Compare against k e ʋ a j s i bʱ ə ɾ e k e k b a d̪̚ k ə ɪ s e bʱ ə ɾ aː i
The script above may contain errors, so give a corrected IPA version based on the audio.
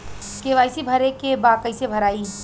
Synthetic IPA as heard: k e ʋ a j s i bʱ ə ɾ e k e b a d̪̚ k ə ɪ s e bʱ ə ɾ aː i

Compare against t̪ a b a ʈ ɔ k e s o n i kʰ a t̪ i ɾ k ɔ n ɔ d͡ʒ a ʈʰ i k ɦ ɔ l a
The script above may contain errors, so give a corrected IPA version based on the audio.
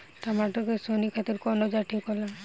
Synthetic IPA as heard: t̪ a m a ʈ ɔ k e s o n i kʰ a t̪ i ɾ k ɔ n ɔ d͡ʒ a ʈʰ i k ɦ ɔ l a

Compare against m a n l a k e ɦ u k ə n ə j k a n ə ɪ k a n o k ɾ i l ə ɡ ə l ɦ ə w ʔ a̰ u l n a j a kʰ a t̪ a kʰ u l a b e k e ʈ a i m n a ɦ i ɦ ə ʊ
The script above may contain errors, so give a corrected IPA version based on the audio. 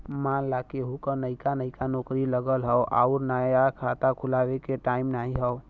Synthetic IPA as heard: m a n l a k e ɦ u k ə n ə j k a n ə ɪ k a n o k ɾ i l ə ɡ ə l ɦ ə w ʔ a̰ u ɾ n a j a kʰ a t̪ a kʰ u l a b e k e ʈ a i m n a ɦ i ɦ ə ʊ

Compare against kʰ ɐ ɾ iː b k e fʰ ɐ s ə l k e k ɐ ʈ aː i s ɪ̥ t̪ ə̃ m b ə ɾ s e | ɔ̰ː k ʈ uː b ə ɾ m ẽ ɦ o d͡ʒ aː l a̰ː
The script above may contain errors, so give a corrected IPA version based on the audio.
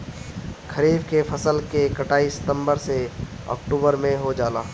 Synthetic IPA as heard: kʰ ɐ ɾ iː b k e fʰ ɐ s ə l k e k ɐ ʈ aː i s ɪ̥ t̪ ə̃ m b ə ɾ s e | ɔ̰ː k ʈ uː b ə ɾ m ẽ ɦ o d͡ʒ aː l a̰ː

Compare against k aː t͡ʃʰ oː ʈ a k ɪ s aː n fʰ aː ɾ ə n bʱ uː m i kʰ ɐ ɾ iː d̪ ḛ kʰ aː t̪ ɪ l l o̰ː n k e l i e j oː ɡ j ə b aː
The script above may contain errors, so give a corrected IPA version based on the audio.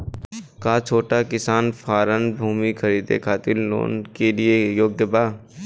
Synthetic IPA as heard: k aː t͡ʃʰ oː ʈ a k ɪ s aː n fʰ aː ɾ ə n bʱ uː m i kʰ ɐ ɾ iː d̪ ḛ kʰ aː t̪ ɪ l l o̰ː n k e l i e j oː ɡ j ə b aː

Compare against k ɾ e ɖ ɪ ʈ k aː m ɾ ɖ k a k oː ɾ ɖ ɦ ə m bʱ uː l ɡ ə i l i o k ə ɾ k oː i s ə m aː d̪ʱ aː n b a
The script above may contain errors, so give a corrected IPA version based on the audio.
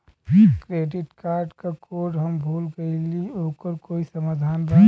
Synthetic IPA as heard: k ɾ e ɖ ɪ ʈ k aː ɾ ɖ k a k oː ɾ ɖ ɦ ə m bʱ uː l ɡ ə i l i o k ə ɾ k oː i s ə m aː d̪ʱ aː n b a

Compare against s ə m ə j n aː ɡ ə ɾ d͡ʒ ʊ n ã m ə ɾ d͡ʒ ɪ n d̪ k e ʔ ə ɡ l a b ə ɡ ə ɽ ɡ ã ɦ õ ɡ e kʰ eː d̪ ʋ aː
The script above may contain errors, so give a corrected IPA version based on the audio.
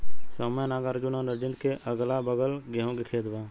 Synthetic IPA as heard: s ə m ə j n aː ɡ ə ɾ d͡ʒ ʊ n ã n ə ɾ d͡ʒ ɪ n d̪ k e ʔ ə ɡ l a b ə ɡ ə l ɡ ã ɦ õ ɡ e kʰ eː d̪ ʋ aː

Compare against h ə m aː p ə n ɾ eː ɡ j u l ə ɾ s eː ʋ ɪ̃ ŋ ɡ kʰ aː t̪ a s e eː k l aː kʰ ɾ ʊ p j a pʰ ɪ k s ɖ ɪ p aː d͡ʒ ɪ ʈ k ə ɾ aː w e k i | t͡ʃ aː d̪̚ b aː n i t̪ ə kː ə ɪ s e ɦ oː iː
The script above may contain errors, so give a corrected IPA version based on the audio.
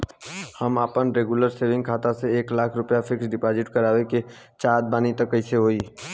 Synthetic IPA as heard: h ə m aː p ə n ɾ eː ɡ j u l ə ɾ s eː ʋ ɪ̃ ŋ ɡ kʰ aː t̪ a s e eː k l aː kʰ ɾ ʊ p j a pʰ ɪ k s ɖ ɪ p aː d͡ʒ ɪ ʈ k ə ɾ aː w e k e | t͡ʃ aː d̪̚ b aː n i t̪ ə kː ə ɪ s e ɦ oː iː

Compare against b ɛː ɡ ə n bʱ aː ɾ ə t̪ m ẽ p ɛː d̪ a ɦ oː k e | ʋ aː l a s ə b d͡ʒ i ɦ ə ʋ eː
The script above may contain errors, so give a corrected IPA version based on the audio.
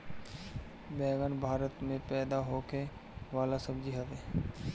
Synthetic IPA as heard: b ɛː ɡ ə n bʱ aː ɾ ə t̪ m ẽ p ɛː d̪ a ɦ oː k e | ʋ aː l a s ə b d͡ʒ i ɦ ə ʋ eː

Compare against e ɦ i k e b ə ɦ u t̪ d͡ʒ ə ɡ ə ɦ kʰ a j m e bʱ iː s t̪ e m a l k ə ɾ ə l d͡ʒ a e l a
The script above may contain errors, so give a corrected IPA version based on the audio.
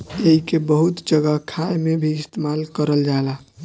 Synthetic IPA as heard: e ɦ i k e b ə ɦ u t̪ d͡ʒ ə ɡ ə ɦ kʰ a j m e bʱ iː s t̪ e m a l k ə ɾ ə l d͡ʒ a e l a

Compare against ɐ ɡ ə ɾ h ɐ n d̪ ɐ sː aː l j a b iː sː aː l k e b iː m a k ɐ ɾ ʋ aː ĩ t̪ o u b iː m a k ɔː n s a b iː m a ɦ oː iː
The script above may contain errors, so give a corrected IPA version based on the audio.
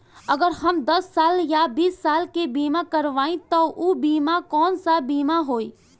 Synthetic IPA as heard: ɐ ɡ ə ɾ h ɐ m d̪ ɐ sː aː l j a b iː sː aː l k e b iː m a k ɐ ɾ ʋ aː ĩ t̪ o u b iː m a k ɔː n s a b iː m a ɦ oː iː

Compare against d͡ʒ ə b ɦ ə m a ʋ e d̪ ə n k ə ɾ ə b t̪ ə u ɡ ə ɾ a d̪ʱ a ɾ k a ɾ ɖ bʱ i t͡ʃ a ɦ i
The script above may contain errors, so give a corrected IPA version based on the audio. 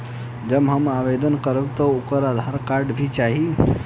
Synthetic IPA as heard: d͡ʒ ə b ɦ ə m a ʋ e d̪ ə n k ə ɾ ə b t̪ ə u k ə ɾ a d̪ʱ a ɾ k a ɾ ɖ bʱ i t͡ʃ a ɦ i

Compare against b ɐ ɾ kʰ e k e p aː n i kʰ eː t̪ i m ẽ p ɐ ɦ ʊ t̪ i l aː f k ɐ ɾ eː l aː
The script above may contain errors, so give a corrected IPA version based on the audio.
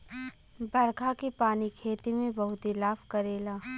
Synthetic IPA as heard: b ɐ ɾ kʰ a k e p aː n i kʰ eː t̪ i m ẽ b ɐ ɦ ʊ t̪ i l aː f k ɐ ɾ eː l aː

